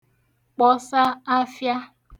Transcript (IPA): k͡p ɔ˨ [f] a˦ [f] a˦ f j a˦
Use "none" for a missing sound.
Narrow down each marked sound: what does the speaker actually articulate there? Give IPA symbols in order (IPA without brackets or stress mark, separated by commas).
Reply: s, none